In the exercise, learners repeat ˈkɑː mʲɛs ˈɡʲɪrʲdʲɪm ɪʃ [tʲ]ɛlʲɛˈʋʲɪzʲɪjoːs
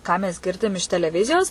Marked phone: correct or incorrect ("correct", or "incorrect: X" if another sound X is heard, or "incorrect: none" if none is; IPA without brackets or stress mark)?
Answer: correct